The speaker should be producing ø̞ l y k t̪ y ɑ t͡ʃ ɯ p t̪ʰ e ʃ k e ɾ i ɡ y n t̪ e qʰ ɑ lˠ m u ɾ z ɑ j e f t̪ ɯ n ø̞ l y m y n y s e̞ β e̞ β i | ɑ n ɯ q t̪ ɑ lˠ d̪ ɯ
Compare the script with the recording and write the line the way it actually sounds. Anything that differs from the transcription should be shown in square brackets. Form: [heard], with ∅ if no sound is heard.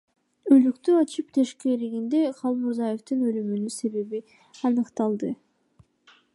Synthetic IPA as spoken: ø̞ l y k t̪ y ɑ t͡ʃ ɯ p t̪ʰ e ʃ k e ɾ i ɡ [i] n [d̪] e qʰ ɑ lˠ m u ɾ z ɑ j e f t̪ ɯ n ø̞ l y m y n y s e̞ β e̞ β i | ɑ n ɯ q t̪ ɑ lˠ d̪ ɯ